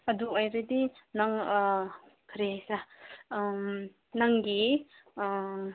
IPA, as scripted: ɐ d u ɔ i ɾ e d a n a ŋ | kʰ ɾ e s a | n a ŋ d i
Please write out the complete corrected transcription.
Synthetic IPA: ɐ d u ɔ j ɾ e d i n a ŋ | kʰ ɾ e s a | n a ŋ ɡ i